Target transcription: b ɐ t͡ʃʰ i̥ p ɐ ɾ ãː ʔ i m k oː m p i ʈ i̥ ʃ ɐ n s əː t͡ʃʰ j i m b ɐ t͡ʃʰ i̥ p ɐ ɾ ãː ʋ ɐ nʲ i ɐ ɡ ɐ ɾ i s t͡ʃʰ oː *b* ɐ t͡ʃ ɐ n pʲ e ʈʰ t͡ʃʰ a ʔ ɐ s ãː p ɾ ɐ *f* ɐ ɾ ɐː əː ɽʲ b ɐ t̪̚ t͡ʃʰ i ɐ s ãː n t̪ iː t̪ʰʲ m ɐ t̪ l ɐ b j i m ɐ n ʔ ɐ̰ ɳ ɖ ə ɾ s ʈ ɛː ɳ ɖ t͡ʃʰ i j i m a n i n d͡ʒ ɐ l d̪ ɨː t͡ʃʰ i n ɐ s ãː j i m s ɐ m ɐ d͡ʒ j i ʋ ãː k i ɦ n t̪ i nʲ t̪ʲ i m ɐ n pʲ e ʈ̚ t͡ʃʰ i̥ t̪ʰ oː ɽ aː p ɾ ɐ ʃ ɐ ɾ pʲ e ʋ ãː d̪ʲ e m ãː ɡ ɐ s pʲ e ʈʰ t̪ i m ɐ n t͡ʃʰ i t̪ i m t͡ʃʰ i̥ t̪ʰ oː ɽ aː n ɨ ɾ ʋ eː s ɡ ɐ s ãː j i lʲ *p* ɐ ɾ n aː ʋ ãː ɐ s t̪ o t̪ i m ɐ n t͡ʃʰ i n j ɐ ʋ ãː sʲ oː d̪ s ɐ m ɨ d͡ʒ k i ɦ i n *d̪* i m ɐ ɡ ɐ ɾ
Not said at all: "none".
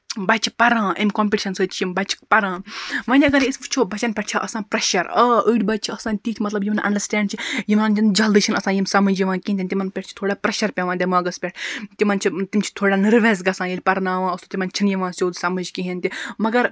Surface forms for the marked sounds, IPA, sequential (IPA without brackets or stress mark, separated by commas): b, ʃ, p, t̪